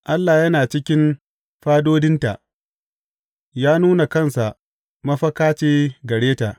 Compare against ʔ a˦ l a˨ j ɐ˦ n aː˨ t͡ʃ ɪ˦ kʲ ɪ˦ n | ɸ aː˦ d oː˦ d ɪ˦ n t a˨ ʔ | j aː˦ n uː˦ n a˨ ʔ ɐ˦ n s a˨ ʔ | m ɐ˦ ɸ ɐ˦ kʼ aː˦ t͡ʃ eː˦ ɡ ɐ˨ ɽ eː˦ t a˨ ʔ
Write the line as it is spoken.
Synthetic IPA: ʔ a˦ lː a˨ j ɐ˦ n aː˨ t͡ʃ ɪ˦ kʲ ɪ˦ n | ɸ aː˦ d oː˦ d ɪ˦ n t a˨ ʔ | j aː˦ n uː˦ n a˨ k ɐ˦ n s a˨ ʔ | m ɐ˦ ɸ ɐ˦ k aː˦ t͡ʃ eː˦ ɡ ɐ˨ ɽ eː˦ t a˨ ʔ

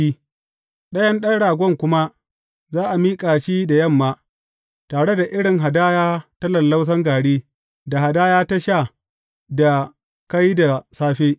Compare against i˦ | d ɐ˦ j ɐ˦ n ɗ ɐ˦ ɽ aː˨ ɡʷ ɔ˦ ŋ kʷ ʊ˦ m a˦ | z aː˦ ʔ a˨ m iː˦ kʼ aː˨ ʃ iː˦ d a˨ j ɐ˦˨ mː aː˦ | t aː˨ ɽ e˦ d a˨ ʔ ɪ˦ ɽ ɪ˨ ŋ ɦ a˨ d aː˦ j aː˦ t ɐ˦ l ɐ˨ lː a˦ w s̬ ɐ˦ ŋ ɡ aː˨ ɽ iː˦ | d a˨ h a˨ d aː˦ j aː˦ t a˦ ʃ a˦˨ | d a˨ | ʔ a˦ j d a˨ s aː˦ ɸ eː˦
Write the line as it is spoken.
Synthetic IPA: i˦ | ɗ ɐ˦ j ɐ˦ n ɗ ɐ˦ ɽ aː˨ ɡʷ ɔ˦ ŋ kʷ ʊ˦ m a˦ | z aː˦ ʔ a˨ m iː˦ kʼ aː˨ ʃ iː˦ d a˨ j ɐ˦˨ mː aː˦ | t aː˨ ɽ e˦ d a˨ ʔ ɪ˦ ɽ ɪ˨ ŋ ɦ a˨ d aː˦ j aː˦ t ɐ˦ l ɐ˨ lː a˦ w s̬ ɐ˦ ŋ ɡ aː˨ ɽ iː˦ | d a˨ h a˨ d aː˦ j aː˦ t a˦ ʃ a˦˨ | d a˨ | k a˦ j d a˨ s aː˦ ɸ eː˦

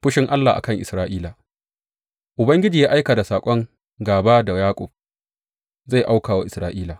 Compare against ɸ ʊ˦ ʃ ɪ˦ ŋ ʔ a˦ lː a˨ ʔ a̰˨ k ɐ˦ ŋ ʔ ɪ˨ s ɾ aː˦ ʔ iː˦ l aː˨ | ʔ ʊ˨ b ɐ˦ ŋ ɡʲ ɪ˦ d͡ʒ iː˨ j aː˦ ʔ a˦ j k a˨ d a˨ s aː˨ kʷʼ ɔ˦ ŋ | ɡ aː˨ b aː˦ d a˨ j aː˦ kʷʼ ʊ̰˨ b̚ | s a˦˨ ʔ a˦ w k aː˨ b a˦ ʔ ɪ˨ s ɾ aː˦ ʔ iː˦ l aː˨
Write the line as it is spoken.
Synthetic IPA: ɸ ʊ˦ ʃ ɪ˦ ŋ ʔ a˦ lː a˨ ʔ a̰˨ k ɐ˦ ŋ ʔ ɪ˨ s ɾ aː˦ ʔ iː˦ l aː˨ | ʔ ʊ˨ b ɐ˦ ŋ ɡʲ ɪ˦ d͡ʒ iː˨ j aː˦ ʔ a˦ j k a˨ d a˨ s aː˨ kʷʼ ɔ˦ ŋ | ɡ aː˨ b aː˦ d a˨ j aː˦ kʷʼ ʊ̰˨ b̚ | z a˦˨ ʔ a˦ w k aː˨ w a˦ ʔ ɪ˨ s ɾ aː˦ ʔ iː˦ l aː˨

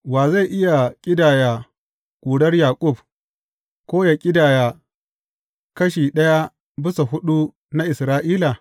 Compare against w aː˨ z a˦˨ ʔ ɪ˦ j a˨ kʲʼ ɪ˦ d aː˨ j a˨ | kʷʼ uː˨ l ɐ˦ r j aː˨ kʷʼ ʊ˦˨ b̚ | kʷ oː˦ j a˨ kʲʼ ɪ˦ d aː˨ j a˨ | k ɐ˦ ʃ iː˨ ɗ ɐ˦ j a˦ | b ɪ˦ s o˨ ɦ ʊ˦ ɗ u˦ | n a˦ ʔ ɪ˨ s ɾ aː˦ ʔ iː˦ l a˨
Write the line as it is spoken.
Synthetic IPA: w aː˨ z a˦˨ ʔ ɪ˦ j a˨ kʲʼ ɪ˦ d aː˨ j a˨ | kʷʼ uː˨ ɽ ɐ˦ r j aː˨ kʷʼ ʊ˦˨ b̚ | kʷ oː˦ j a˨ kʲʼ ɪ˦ d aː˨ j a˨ | k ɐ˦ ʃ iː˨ ɗ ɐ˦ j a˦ | b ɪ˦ s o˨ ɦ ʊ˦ ɗ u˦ | n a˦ ʔ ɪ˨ s ɾ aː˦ ʔ iː˦ l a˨

